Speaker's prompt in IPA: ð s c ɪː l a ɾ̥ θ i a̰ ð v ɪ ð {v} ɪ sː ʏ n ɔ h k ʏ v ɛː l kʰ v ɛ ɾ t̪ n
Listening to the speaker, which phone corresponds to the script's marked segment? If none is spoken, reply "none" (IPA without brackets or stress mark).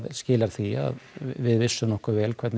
v